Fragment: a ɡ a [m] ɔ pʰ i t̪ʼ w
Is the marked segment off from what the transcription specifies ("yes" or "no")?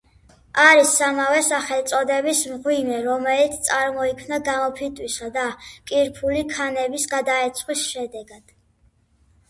no